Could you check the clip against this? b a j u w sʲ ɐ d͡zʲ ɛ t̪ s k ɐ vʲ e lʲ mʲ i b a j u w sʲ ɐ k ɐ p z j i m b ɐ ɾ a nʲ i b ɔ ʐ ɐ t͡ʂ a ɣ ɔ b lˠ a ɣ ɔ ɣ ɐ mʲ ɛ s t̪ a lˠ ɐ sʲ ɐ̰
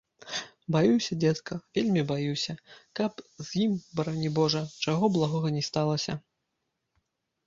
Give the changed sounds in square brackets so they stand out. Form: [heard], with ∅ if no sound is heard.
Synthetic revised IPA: b a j u w sʲ ɐ d͡zʲ ɛ t̪ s k ɐ vʲ e lʲ mʲ i b a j u w sʲ ɐ k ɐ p z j i m b ɐ ɾ a nʲ i b ɔ ʐ ɐ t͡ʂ a ɣ ɔ b lˠ a ɣ ɔ ɣ ɐ [nʲ] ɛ s t̪ a lˠ ɐ sʲ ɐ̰